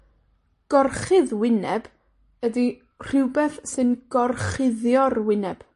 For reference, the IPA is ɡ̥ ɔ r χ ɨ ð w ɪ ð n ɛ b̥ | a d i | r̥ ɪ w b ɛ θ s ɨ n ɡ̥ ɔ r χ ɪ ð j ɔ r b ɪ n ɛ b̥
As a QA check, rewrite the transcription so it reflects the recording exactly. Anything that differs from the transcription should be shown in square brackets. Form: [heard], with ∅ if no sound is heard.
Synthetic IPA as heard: ɡ̥ ɔ r χ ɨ ð w ɪ [∅] n ɛ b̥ | [ə] d i | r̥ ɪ w b ɛ θ s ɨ n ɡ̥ ɔ r χ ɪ ð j ɔ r [w] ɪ n ɛ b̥